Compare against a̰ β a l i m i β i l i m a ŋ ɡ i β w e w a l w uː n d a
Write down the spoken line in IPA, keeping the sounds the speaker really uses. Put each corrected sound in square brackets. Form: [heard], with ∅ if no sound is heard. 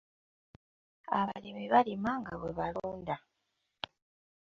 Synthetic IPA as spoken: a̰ β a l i m i β [a] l i m a ŋ ɡ [a] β w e [β] a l [u] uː n d a

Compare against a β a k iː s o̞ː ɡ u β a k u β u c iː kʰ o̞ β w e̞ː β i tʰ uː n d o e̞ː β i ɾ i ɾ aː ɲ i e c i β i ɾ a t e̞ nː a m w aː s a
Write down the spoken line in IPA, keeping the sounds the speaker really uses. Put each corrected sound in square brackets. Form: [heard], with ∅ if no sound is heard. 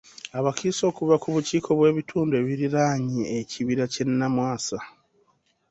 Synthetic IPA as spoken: a β a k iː s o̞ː [k] u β a k u β u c iː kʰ o̞ β w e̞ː β i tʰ uː n d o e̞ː β i ɾ i ɾ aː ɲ i e c i β i ɾ a [c] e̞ nː a m w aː s a

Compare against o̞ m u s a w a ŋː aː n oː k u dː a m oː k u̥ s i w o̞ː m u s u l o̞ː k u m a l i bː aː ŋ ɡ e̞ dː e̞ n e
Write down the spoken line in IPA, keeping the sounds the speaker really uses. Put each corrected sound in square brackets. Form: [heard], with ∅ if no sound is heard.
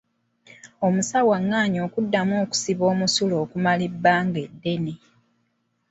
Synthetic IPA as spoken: o̞ m u s a w a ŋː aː [ɲ] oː k u dː a m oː k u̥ s i [β] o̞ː m u s u l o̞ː k u m a l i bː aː ŋ ɡ e̞ dː e̞ n e

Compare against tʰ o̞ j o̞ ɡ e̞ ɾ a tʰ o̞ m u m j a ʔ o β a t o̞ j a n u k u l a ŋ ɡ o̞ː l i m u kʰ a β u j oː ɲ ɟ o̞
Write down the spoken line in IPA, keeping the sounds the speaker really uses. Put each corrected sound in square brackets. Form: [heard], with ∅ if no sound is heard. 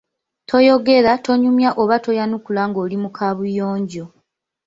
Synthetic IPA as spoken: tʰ o̞ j o̞ ɡ e̞ ɾ a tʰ o̞ [ɲ] u m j a ʔ o β a t o̞ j a n u k u l a ŋ ɡ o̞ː l i m u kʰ a β u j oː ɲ ɟ o̞

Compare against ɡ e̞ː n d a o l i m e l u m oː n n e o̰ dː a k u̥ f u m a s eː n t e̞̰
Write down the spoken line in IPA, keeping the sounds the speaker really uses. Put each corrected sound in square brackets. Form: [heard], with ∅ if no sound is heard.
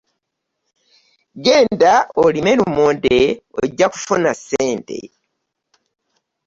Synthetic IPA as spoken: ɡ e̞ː n d a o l i m e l u m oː n [d] e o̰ [ɟː] a k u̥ f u [n] a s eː n t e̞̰

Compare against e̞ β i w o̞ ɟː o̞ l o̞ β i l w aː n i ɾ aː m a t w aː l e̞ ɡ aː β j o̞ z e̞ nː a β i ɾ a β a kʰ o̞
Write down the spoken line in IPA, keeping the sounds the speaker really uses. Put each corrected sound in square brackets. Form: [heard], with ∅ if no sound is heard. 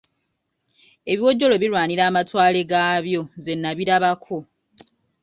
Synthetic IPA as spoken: e̞ β i w o̞ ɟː o̞ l o̞ β i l w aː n i ɾ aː m a t w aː l e̞ ɡ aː β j o̞ z e̞ nː a β i ɾ a β a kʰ o̞

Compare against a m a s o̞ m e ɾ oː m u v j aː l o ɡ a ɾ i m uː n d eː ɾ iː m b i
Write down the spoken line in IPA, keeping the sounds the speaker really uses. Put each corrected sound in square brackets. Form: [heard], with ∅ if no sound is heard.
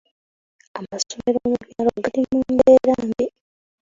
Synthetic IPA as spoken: a m a s o̞ m e ɾ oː m u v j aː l o ɡ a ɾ i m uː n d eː ɾ [aː] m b i

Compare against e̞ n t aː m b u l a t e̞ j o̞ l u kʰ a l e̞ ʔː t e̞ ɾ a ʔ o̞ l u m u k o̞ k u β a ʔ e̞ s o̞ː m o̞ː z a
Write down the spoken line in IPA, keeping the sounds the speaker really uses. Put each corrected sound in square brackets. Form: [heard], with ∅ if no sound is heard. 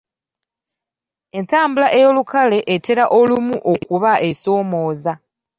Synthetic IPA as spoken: e̞ n t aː m b u l a [ʔ] e̞ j o̞ l u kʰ a l e̞ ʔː t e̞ ɾ a ʔ o̞ l u m u [ʔ] o̞ k u β a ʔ e̞ s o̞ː m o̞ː z a

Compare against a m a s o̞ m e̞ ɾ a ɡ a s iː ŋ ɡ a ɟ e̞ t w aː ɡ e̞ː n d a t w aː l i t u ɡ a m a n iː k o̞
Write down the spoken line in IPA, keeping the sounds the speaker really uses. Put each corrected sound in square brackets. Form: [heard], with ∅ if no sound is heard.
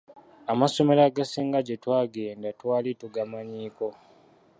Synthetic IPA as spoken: a m a s o̞ m e̞ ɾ a ɡ a s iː ŋ ɡ a ɟ e̞ t w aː ɡ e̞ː n d a t w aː l i t u ɡ a m a [ɲ] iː k o̞

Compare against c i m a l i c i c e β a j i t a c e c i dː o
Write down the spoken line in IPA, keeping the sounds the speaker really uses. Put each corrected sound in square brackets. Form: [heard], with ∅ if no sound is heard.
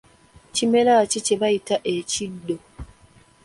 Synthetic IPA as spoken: c i m [e] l [a] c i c e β a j i t a [ʔ] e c i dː o

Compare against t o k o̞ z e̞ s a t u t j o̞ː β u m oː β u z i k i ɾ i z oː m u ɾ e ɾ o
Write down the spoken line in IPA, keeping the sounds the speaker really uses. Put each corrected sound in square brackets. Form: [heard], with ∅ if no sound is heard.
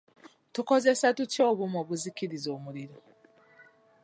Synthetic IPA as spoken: t [u] k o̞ z e̞ s a t u t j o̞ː β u m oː β u z i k i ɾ i z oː m u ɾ [i] ɾ o

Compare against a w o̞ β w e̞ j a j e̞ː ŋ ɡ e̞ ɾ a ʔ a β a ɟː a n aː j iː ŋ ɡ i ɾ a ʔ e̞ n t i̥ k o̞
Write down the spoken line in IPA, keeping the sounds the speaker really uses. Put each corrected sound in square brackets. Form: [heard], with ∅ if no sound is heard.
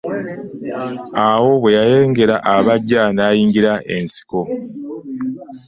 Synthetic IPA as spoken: a w o̞ β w e̞ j a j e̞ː ŋ ɡ e̞ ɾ a ʔ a β a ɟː a n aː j iː ŋ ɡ i ɾ a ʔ e̞ n [s] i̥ k o̞

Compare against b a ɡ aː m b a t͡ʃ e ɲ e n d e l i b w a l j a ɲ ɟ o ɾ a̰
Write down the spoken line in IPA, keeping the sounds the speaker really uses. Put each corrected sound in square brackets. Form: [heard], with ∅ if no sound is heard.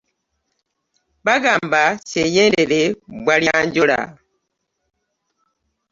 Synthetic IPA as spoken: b a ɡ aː m b a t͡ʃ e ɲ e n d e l [e] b w a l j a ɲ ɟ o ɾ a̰

